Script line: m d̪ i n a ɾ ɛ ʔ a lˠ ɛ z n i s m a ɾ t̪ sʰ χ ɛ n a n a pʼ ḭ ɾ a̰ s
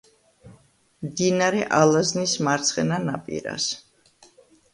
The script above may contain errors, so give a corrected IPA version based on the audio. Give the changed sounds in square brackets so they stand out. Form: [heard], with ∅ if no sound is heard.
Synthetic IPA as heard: m d̪ i n a ɾ ɛ ʔ a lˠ [a] z n i s m a ɾ t̪ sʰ χ ɛ n a n a pʼ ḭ ɾ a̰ s